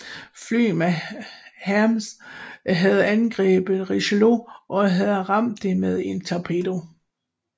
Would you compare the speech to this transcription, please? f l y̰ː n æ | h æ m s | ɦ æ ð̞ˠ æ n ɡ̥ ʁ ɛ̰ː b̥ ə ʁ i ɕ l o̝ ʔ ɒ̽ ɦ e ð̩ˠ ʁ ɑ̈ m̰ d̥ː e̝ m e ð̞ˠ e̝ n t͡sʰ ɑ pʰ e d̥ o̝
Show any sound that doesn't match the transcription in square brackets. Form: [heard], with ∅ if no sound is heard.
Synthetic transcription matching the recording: f l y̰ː [m] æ | h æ m s | ɦ æ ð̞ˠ æ n ɡ̥ ʁ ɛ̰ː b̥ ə ʁ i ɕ l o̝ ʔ ɒ̽ ɦ [æ] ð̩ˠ ʁ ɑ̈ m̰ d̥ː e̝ m e ð̞ˠ e̝ n t͡sʰ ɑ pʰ e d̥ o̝

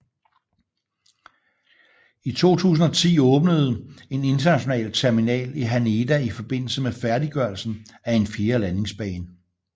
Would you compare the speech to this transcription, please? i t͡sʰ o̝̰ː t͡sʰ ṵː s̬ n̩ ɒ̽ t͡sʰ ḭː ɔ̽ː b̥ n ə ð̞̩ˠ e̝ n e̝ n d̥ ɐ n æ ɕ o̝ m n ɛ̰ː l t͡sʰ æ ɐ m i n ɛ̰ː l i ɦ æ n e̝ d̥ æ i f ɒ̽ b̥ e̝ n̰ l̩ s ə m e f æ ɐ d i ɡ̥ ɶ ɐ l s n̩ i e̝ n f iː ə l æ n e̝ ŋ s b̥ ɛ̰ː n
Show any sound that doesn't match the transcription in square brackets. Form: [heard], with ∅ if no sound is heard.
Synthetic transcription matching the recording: i t͡sʰ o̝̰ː t͡sʰ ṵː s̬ n̩ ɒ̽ t͡sʰ ḭː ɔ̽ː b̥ n ə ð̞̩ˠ e̝ n e̝ n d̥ ɐ n æ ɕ o̝ [∅] n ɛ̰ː l t͡sʰ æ ɐ m i n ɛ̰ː l i ɦ æ n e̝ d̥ æ i f ɒ̽ b̥ e̝ n̰ l̩ s ə m e f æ ɐ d i ɡ̥ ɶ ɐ l s n̩ [æ] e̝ n f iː [ɐ] l æ n e̝ ŋ s b̥ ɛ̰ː n

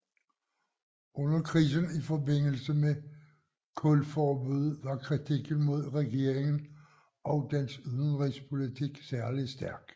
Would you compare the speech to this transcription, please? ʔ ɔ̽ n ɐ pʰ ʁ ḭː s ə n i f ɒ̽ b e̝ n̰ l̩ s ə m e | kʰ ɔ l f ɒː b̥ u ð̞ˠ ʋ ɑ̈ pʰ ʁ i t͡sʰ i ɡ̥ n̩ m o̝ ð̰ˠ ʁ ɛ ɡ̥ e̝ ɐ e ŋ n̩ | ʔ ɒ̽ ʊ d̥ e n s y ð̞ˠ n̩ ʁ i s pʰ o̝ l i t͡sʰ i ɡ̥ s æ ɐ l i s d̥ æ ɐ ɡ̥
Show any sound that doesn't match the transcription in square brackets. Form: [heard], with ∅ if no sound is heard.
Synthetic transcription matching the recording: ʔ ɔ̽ n ɐ [kʰ] ʁ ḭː s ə n i f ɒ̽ b e̝ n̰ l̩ s ə m e | kʰ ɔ l f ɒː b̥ u ð̞ˠ ʋ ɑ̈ [kʰ] ʁ i t͡sʰ i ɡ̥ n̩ m o̝ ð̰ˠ ʁ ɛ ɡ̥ e̝ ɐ e ŋ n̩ | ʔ ɒ̽ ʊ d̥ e n s y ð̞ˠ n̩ ʁ i s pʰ o̝ l i t͡sʰ i ɡ̥ s æ ɐ l i s d̥ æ ɐ ɡ̥

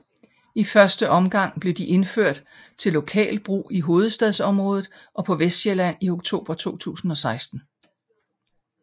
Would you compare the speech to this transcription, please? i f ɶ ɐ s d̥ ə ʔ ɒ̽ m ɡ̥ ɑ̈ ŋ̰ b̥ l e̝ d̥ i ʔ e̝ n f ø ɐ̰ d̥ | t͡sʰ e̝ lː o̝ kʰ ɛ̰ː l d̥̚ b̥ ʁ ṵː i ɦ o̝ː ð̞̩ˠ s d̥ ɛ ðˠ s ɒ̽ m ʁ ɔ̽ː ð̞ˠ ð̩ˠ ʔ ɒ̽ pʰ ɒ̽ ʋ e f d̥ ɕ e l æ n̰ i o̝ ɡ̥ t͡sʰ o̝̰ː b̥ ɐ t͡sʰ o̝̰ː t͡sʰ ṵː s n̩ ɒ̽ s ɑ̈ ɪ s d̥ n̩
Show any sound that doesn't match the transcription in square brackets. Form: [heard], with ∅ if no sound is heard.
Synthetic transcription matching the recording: i f ɶ ɐ s d̥ ə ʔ ɒ̽ m ɡ̥ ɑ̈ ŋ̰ b̥ l e̝ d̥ i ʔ e̝ n f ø ɐ̰ d̥ | t͡sʰ e̝ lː o̝ kʰ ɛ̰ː l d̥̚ b̥ ʁ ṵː i ɦ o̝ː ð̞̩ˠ s d̥ ɛ ðˠ s ɒ̽ m ʁ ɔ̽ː ð̞ˠ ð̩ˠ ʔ ɒ̽ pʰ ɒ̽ ʋ e [s] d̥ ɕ e l æ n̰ i o̝ ɡ̥ t͡sʰ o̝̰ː b̥ ɐ t͡sʰ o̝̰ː t͡sʰ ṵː s n̩ ɒ̽ s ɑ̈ ɪ s d̥ n̩

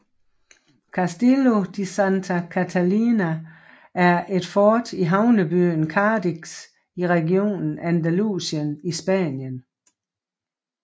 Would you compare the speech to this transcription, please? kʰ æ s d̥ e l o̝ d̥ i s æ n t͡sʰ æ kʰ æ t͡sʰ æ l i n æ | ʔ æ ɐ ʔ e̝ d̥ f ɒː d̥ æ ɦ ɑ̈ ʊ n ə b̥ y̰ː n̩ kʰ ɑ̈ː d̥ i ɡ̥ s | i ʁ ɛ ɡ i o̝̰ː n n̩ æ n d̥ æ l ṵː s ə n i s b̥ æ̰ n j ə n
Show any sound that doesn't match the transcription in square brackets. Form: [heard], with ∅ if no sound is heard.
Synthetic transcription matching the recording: kʰ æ s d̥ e l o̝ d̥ i s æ n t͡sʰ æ kʰ æ t͡sʰ æ l i n æ | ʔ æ ɐ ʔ e̝ d̥ f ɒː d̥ [i] ɦ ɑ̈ ʊ n ə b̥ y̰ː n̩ kʰ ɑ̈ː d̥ i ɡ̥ s | i ʁ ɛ ɡ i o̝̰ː n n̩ æ n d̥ æ l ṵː s ə n i s b̥ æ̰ n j ə n

